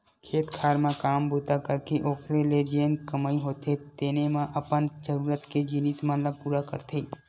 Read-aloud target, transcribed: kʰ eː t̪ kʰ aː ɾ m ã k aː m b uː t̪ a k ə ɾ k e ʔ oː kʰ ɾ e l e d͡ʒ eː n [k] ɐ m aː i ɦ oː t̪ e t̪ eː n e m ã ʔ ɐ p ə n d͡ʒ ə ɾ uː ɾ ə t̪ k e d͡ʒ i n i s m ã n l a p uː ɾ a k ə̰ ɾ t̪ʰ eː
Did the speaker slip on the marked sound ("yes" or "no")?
no